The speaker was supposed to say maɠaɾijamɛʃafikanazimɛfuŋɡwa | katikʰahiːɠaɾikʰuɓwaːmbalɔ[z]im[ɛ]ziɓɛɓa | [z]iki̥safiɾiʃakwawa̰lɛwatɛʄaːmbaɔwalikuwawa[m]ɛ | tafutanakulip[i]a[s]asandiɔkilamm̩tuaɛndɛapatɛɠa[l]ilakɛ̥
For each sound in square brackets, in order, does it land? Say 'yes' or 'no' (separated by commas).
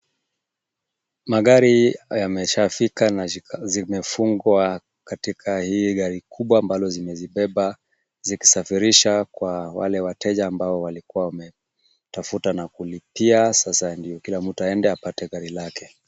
yes, yes, yes, yes, yes, yes, no